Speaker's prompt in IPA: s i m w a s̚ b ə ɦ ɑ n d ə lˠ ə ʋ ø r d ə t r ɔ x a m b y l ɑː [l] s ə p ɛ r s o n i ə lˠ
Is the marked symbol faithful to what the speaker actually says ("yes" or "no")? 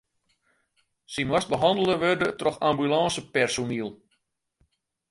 no